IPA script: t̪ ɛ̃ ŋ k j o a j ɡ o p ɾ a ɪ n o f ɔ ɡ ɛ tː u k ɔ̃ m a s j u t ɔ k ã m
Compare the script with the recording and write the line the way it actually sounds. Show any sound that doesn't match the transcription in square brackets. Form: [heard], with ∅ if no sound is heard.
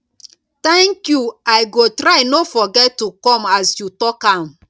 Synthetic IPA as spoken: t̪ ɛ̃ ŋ k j [u] a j ɡ o [t] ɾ a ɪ n o f ɔ ɡ ɛ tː u k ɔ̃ m a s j u t ɔ k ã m